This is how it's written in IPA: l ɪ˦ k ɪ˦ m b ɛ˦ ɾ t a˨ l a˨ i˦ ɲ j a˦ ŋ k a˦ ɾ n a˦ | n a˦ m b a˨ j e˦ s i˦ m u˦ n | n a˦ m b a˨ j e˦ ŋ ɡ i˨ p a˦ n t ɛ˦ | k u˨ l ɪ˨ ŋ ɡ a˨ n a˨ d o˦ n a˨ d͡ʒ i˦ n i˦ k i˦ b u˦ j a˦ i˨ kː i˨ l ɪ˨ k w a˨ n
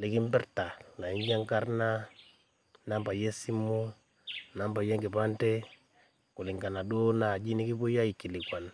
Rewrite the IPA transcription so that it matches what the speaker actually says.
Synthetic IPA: l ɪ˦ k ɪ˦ m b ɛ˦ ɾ t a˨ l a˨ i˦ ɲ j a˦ ŋ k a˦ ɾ n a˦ | n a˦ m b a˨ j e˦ s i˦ m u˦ | n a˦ m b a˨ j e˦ ŋ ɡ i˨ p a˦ n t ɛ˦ | k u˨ l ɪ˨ ŋ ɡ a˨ n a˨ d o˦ n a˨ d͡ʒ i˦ n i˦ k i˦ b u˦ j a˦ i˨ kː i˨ l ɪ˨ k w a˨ n